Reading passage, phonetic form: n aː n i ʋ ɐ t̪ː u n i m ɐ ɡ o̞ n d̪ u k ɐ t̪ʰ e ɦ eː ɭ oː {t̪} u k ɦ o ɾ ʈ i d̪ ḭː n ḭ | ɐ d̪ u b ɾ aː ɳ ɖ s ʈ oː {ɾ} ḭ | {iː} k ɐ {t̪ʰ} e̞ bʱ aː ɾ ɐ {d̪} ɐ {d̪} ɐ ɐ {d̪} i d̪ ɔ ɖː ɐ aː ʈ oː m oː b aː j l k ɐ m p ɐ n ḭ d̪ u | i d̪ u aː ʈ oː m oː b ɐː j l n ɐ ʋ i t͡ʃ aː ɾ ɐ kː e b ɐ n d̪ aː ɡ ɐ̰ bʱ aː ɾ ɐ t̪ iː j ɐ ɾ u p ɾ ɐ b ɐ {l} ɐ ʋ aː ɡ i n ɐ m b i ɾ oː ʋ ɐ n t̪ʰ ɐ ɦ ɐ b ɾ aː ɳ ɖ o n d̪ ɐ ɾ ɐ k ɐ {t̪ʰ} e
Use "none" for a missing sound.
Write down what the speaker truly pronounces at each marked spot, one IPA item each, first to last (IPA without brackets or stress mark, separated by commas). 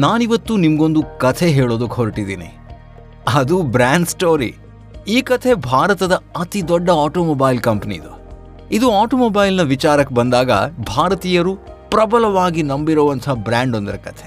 d̪, ɾ, iː, t̪ʰ, t̪, d̪, t̪, l, t̪ʰ